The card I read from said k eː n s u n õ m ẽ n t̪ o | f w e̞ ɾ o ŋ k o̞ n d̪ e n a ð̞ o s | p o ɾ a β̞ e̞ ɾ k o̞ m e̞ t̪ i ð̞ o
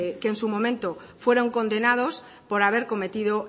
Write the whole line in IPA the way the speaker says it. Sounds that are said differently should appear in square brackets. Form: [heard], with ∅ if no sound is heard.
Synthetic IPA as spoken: k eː n s u [m] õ m ẽ n t̪ o | f w e̞ ɾ o ŋ k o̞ n d̪ e n a ð̞ o s | p o ɾ a β̞ e̞ ɾ k o̞ m e̞ t̪ i ð̞ o